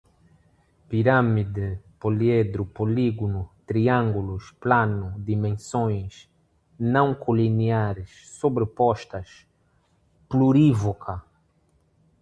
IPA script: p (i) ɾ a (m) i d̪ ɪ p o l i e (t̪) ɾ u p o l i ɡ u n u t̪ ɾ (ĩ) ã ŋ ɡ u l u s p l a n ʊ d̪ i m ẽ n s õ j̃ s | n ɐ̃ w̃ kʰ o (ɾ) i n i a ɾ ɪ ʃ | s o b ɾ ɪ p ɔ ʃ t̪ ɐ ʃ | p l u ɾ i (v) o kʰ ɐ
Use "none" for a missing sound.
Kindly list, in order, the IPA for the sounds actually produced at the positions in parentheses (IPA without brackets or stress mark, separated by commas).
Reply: i, m, d̪, i, l, v